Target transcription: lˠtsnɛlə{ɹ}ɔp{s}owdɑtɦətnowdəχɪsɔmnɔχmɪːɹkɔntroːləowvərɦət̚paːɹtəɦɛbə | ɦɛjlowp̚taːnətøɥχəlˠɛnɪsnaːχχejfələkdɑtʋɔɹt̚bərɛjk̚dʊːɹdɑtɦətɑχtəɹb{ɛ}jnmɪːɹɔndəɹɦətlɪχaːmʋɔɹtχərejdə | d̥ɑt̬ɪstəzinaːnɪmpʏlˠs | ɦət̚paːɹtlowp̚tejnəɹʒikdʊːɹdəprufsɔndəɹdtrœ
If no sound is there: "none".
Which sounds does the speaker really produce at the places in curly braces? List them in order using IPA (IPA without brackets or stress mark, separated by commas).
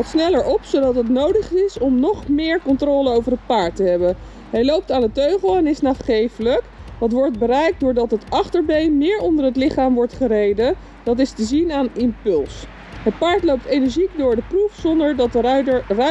ɹ, s, e